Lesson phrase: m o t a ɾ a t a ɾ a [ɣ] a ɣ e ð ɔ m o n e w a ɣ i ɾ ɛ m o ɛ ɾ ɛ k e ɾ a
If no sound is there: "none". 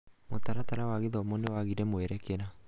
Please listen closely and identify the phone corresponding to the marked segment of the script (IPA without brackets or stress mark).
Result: w